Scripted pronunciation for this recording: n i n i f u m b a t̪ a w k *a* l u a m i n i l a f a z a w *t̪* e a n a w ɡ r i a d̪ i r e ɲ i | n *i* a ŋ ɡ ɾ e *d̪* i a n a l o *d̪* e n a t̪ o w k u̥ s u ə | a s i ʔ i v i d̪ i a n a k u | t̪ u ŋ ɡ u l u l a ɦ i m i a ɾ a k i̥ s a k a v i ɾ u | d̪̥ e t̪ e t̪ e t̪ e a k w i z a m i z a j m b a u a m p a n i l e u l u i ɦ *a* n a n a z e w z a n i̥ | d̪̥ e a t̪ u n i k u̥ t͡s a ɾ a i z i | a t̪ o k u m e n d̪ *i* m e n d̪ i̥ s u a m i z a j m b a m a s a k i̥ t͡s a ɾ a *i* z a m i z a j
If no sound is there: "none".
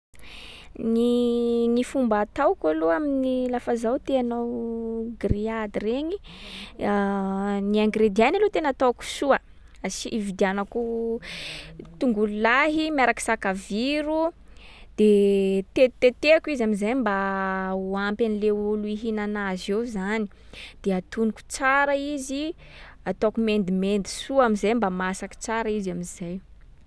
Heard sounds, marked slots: a, t̪, i, d̪, t̪, i, i, i

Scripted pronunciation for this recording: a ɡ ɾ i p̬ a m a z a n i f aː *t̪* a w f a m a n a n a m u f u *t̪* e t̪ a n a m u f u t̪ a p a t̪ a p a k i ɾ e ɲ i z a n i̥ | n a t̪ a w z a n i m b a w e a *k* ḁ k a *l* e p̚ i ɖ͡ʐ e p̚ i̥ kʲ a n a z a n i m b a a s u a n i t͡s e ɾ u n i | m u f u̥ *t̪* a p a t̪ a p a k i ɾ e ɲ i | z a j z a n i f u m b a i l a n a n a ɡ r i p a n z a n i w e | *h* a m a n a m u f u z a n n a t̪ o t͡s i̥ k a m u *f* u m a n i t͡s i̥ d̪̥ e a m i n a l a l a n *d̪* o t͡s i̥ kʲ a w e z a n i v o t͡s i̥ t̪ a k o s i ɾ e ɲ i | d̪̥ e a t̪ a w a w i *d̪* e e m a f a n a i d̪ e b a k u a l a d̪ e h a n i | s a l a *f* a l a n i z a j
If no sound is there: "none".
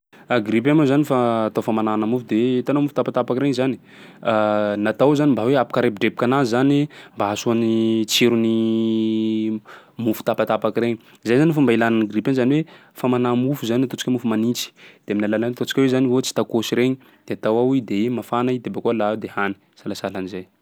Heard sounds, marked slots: t̪, d̪, p, ɾ, t̪, f, f, t̪, d̪, s

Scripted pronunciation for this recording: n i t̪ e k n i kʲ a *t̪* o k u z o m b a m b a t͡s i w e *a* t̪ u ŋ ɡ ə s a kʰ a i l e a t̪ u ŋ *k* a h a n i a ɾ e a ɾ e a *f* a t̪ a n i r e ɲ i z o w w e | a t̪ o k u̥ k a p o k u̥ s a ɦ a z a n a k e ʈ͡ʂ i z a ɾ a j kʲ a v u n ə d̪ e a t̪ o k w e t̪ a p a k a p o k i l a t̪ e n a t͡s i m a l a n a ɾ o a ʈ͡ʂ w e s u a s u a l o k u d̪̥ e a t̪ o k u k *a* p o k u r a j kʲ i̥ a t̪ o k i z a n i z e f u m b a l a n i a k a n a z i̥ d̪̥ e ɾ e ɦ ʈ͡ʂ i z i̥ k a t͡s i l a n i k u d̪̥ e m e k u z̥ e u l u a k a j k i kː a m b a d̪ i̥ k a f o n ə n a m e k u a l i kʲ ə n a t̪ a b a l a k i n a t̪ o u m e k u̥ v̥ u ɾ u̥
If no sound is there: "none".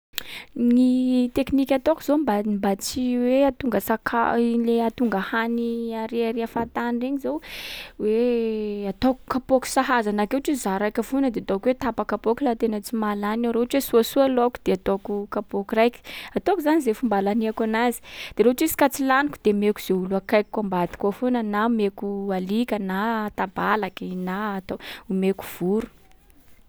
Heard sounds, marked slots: t̪, a, ɡ, f, a

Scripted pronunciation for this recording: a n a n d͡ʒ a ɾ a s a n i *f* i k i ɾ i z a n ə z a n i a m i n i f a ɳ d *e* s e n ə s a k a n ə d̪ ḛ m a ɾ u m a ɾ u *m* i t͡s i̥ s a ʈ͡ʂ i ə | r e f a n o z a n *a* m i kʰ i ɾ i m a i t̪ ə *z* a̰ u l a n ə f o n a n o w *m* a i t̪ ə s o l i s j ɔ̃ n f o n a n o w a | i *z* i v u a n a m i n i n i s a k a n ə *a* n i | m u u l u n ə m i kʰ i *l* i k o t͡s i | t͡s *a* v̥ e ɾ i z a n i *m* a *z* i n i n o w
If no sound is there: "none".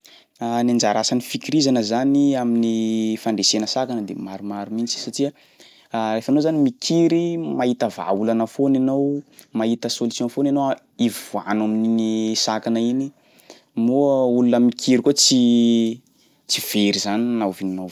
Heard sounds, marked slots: f, e, m, i, v, m, v, i, ɾ, i, n, v

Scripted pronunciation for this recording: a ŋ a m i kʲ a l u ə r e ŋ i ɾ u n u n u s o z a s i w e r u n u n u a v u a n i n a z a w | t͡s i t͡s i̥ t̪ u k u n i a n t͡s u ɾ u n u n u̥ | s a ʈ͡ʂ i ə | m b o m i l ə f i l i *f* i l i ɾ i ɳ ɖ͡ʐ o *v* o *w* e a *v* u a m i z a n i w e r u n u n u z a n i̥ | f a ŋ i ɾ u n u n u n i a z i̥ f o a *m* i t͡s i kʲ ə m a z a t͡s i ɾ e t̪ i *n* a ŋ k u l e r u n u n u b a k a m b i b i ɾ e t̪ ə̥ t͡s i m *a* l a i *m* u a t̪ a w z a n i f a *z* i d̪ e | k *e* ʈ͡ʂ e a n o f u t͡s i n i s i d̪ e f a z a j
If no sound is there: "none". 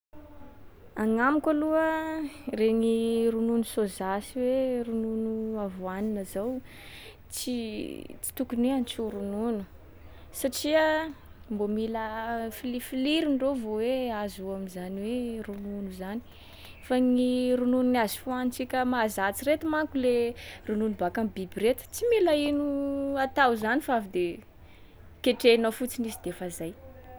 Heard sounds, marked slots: f, v, w, z, n, m, i, n, v, e

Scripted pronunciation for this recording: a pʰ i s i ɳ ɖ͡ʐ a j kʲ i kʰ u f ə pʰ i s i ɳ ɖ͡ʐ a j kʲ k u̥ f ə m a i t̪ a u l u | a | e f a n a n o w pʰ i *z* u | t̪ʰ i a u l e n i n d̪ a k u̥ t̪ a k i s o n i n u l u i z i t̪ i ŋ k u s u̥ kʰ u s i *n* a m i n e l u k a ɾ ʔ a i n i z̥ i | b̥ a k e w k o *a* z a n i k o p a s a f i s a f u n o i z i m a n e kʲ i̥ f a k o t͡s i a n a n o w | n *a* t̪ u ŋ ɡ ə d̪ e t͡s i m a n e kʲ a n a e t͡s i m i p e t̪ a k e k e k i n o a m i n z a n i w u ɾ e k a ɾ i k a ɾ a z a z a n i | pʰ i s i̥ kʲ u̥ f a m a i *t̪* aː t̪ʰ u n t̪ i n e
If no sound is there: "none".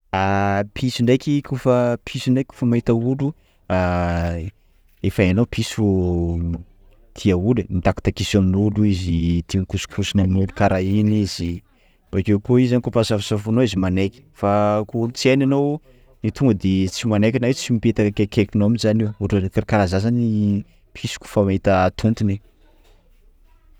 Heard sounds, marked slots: s, n, i, i, t̪

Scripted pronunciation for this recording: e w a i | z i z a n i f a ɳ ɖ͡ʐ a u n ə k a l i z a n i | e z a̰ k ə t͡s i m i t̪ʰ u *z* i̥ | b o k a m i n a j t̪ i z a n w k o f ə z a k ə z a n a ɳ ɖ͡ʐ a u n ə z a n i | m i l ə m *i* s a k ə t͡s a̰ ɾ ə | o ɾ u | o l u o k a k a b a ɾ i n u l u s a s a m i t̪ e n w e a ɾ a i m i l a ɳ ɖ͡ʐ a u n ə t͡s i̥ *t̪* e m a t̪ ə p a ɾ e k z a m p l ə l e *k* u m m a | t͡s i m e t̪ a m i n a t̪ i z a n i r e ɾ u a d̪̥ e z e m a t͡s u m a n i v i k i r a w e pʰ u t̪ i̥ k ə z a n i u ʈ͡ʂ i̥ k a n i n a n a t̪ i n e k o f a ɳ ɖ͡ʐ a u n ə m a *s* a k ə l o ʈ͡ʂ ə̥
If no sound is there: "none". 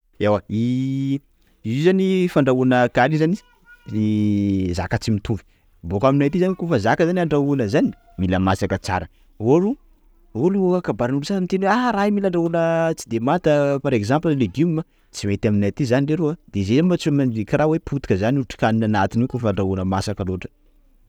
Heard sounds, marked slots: v, a, d̪, ɡ, s

